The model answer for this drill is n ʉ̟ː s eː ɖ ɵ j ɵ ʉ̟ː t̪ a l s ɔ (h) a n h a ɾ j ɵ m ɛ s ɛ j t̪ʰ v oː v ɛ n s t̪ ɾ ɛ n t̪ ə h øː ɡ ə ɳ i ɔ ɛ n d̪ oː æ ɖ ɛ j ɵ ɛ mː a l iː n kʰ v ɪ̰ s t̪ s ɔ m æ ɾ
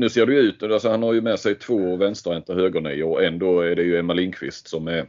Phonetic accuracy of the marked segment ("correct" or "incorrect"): correct